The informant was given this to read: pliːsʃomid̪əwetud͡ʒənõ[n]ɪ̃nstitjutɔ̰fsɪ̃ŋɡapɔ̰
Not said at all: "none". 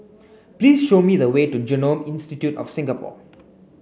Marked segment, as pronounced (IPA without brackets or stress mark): m